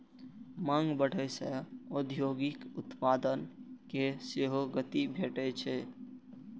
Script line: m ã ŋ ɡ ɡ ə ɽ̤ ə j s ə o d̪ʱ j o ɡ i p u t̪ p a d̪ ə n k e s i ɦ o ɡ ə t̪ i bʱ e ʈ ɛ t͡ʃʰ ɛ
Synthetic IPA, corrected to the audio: m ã ŋ ɡ b ə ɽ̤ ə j s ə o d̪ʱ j o ɡ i k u t̪ p a d̪ ə n k e s e ɦ o ɡ ə t̪ i bʱ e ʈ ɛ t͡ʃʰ ɛ